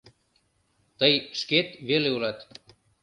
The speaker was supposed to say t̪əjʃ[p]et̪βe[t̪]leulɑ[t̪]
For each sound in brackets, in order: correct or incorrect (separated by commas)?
incorrect, incorrect, correct